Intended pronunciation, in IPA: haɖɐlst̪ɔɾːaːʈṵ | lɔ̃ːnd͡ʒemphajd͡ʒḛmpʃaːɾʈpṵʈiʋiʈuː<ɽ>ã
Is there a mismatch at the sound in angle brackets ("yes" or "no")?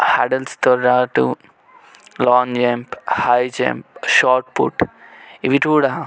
no